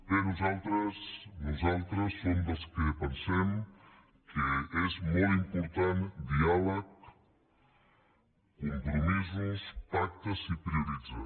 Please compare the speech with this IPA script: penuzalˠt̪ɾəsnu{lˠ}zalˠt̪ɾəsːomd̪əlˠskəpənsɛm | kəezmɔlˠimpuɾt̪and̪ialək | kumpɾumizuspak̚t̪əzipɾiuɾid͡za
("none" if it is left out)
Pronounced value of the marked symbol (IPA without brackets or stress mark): none